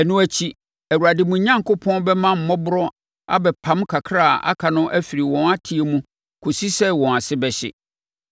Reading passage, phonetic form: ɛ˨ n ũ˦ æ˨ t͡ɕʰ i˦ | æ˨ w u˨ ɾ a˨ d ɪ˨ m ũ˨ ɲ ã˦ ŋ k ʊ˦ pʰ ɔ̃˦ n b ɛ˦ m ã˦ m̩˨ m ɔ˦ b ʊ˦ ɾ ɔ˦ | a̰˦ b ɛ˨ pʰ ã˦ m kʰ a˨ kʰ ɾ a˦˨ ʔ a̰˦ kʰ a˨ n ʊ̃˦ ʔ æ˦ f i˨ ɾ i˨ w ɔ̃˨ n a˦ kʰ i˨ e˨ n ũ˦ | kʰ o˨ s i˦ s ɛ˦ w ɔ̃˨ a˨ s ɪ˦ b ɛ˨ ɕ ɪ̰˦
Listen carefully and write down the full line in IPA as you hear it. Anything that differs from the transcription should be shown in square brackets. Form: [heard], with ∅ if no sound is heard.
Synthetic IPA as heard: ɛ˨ n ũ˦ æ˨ t͡ɕʰ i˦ | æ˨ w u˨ ɾ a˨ d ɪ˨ m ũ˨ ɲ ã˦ ŋ k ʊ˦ pʰ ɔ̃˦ n b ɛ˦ m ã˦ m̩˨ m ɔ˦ b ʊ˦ ɾ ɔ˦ | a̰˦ b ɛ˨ pʰ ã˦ m kʰ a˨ kʰ ɾ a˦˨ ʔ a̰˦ kʰ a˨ n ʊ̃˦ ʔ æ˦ f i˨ ɾ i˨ w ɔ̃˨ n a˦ [tʰ] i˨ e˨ [m] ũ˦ | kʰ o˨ s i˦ s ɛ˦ w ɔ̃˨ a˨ s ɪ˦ b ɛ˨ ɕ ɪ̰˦